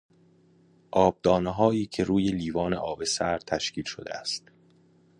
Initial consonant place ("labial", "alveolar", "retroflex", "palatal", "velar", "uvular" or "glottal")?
glottal